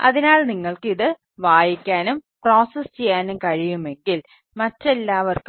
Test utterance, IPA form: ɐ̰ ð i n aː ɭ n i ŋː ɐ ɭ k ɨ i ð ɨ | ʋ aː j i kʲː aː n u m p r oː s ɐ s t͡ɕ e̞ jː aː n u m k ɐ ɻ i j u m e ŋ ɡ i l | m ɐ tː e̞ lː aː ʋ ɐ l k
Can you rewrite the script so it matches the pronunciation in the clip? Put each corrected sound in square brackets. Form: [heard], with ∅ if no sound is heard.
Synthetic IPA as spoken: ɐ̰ ð i n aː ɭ n i ŋː ɐ ɭ k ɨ i ð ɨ | ʋ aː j i kʲː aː n u m p r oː s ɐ s t͡ɕ e̞ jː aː n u m k ɐ ɻ i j u m e ŋ ɡ i l | m ɐ tː e̞ lː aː ʋ ɐ [r] k